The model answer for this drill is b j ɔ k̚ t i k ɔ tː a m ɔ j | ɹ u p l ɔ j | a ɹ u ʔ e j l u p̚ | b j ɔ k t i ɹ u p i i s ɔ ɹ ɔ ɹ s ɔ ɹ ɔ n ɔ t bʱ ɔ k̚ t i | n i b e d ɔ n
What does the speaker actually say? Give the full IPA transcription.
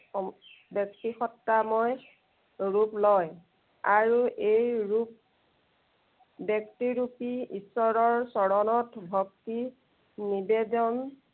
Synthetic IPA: b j ɔ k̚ t i x ɔ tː a m ɔ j | ɹ u p l ɔ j | a ɹ u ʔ e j ɹ u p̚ | b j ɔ k t i ɹ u p i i s ɔ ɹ ɔ ɹ s ɔ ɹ ɔ n ɔ t bʱ ɔ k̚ t i | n i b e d ɔ n